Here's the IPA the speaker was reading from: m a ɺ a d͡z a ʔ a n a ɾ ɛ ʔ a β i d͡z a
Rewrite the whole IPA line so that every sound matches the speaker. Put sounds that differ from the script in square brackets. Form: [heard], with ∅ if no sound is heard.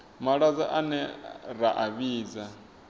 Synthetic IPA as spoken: m a ɺ a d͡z a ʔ a n [ɛ] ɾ [a] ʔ a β [iː] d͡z a